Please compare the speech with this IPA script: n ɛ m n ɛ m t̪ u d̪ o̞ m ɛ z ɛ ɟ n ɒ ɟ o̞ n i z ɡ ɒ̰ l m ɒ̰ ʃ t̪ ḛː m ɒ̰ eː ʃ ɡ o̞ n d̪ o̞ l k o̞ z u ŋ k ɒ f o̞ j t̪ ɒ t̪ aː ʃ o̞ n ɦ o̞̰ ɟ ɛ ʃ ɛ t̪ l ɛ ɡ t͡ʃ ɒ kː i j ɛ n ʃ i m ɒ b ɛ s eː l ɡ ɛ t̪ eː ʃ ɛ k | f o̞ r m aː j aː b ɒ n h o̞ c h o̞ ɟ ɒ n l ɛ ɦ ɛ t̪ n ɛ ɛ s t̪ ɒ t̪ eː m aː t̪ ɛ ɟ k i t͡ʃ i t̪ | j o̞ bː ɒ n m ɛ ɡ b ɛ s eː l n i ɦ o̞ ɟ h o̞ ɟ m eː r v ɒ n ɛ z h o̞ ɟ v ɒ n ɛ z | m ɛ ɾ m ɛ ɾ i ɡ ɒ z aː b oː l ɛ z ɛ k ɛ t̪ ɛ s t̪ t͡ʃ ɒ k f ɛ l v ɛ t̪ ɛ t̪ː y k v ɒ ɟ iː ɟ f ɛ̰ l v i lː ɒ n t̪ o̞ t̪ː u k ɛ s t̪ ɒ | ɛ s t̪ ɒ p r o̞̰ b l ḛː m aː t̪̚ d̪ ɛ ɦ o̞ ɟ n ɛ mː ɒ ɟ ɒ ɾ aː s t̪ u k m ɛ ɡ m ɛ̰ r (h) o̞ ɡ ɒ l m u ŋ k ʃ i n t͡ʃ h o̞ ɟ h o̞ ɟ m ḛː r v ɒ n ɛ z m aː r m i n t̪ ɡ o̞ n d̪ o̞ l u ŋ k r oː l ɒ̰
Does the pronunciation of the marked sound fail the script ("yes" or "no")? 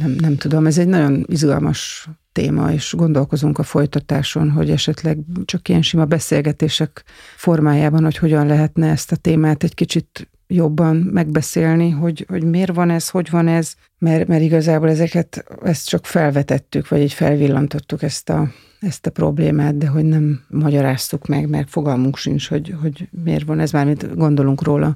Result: yes